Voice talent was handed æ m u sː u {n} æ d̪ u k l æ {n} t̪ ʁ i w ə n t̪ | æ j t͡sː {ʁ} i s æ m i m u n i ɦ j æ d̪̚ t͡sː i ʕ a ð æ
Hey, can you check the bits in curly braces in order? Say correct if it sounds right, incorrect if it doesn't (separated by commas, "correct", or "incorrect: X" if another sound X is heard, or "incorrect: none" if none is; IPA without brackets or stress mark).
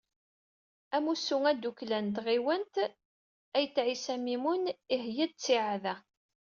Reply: incorrect: ŋ, correct, incorrect: ʕ